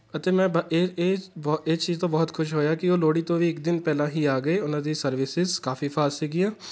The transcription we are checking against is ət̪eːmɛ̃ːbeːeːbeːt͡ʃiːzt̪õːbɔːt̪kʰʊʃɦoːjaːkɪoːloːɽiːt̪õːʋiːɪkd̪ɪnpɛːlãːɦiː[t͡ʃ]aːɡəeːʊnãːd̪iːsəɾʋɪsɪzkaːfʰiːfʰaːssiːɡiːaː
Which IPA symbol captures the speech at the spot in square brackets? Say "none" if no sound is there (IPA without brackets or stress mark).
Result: none